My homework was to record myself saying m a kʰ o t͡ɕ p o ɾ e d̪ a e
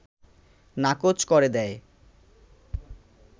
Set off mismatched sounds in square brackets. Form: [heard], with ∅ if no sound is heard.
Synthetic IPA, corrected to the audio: [n] a [k] o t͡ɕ [k] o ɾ e d̪ [ɛ] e